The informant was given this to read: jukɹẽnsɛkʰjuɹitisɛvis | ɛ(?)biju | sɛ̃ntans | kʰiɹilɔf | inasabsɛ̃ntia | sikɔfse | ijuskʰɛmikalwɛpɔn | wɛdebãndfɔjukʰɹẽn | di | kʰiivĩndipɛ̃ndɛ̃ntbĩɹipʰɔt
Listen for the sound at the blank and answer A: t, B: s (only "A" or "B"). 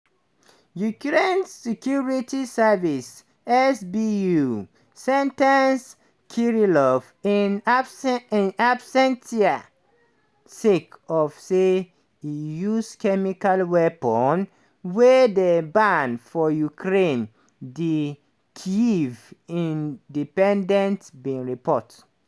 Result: B